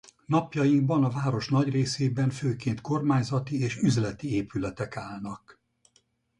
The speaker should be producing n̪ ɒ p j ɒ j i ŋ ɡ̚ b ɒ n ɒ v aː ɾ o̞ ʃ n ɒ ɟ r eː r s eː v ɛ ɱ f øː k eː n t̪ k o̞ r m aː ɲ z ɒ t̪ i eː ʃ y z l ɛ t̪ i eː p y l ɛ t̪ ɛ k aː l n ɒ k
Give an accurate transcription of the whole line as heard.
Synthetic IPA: n̪ ɒ p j ɒ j i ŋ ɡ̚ b ɒ n ɒ v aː ɾ o̞ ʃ n ɒ ɟ r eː s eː b ɛ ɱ f øː k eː n t̪ k o̞ r m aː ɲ z ɒ t̪ i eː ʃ y z l ɛ t̪ i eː p y l ɛ t̪ ɛ k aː l n ɒ k